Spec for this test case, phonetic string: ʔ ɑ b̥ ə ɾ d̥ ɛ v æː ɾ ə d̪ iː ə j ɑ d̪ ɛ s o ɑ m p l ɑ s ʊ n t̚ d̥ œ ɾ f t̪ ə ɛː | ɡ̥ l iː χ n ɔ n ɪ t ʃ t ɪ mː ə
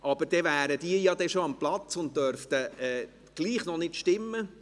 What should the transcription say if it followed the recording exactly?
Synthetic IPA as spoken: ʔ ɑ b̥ ə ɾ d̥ ɛ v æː ɾ ə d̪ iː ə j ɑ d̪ ɛ ʃ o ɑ m p l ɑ t͡s ʊ n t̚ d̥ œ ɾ f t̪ ə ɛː | ɡ̥ l iː χ n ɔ n ɪ t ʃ t ɪ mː ə